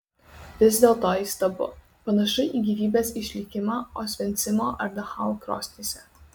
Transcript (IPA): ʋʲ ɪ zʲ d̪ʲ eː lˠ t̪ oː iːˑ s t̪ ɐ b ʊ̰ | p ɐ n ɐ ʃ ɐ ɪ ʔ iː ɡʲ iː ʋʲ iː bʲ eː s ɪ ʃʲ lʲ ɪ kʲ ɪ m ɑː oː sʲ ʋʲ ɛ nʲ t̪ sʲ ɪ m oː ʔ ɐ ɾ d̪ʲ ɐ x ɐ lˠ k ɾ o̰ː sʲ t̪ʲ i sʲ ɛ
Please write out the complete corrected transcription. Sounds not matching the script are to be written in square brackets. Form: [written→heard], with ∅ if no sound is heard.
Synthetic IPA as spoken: ʋʲ ɪ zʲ d̪ʲ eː lˠ t̪ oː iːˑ s t̪ ɐ b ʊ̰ | p ɐ n ɐ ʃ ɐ ɪ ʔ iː ɡʲ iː ʋʲ iː bʲ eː s ɪ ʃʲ lʲ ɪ kʲ ɪ m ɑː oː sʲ ʋʲ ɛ nʲ t̪ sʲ ɪ m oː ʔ ɐ ɾ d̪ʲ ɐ x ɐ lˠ k ɾ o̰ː sʲ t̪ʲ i sʲ ɛ